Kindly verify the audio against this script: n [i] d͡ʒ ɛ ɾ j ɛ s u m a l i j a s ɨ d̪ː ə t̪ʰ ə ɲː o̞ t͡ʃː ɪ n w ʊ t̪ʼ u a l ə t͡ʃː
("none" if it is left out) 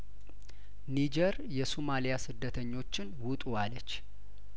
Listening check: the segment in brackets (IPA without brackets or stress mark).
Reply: i